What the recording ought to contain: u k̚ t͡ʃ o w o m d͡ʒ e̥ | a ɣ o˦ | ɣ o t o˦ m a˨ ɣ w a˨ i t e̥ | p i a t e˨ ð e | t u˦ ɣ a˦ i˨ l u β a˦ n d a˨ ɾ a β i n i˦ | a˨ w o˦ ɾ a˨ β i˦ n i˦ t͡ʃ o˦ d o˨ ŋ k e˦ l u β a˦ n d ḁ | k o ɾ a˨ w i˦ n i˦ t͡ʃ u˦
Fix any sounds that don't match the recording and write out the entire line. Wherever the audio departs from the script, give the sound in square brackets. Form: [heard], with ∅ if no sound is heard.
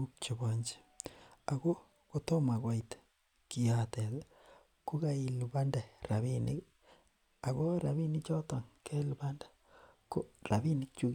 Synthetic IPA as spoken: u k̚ t͡ʃ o [β] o [ɲ] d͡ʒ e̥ | a ɣ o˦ | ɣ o t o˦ m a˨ ɣ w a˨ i t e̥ | [k] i a t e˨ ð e | [k] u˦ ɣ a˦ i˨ l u β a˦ n d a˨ ɾ a β i n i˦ | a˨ [ɣ] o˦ ɾ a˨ β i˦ n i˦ t͡ʃ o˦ [t] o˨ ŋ k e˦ l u β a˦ n d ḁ | k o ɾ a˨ [β] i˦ n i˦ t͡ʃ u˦